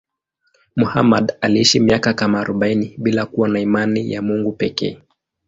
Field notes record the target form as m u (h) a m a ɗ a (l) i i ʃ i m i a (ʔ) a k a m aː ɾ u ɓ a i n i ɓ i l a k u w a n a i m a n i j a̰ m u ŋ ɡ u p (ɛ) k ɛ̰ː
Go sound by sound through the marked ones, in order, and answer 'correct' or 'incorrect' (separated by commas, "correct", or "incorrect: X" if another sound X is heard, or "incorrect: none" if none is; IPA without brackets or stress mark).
correct, correct, incorrect: k, correct